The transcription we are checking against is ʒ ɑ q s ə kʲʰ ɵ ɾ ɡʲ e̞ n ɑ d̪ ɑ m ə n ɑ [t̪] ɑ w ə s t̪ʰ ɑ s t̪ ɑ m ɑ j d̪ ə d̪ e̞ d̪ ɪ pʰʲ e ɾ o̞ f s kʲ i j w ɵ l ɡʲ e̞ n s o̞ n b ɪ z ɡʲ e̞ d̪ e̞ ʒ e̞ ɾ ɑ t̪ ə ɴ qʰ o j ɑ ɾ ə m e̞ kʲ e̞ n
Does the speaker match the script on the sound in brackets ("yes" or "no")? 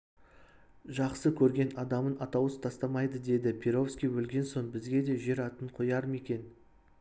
yes